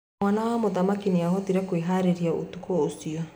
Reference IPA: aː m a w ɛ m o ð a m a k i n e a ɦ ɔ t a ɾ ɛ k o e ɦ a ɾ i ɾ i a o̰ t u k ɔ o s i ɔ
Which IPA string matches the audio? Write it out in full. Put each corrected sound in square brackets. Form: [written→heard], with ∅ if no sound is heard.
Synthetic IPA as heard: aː [m→n] a w [ɛ→a] m o ð a m a k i n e a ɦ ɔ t [a→i] ɾ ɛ k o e ɦ a ɾ [i→e] ɾ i a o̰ t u k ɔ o s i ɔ